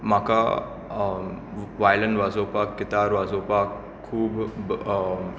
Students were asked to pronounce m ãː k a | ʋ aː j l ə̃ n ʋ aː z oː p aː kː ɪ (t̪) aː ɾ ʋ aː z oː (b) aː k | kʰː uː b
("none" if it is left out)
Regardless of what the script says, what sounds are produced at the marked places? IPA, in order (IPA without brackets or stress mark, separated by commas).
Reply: t̪, p